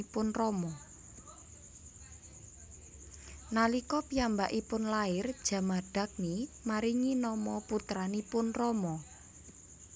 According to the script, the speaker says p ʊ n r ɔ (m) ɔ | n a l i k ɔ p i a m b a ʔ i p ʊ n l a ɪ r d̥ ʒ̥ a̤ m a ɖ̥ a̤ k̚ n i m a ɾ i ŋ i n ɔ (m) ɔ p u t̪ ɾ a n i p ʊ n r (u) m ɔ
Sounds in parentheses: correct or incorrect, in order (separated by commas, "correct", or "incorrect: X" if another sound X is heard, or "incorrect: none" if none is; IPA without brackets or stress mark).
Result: correct, correct, incorrect: ɔ